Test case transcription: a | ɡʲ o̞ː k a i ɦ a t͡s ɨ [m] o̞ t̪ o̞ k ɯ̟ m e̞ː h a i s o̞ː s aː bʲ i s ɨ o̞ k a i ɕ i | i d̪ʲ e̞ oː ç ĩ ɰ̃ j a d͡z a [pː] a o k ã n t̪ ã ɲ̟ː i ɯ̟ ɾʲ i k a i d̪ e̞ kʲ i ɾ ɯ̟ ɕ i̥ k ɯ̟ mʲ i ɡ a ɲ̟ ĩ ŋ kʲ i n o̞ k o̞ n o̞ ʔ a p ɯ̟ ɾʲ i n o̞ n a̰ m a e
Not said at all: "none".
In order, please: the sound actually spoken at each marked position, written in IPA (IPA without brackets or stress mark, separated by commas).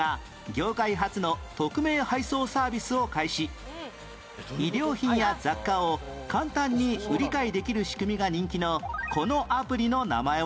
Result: n, kː